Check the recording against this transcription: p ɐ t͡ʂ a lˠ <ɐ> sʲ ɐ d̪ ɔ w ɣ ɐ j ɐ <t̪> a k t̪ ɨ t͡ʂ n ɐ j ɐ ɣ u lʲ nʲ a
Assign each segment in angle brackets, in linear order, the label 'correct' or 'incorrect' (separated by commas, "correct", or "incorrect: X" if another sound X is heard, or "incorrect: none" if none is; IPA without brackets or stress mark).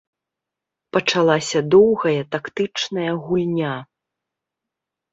incorrect: a, correct